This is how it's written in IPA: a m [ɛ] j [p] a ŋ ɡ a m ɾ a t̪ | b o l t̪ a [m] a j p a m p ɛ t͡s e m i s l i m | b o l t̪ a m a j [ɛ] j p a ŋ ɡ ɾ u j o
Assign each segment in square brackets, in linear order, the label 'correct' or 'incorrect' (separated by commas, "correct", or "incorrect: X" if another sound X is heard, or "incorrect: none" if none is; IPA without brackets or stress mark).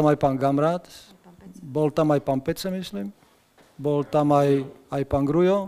incorrect: a, correct, correct, incorrect: a